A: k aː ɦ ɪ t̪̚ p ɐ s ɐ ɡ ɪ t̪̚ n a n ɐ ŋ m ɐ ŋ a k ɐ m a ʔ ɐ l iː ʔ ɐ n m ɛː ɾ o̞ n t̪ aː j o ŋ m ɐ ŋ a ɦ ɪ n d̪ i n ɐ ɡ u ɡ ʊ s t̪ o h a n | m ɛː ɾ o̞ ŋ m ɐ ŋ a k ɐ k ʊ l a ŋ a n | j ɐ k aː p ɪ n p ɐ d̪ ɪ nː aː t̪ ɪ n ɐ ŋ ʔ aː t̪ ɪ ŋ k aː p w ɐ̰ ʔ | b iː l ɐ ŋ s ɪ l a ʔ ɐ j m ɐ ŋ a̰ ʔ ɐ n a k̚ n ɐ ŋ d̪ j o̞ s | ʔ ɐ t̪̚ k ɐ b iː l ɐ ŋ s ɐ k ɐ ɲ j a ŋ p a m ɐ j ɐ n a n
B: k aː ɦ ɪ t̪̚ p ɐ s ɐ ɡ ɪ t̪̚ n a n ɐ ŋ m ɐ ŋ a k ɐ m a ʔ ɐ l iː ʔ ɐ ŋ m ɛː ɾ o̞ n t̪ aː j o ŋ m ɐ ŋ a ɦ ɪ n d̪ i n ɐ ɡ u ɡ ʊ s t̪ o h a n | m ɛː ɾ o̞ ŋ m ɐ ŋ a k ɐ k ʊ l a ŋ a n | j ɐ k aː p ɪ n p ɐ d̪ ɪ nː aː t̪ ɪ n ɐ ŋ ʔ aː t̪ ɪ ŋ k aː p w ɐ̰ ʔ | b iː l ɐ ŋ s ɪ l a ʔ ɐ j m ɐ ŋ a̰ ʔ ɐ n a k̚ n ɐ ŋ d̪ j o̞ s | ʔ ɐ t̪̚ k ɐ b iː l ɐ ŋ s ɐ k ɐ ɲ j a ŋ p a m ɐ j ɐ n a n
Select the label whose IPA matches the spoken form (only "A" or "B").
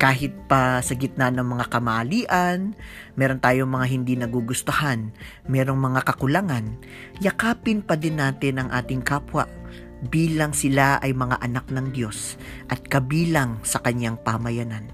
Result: A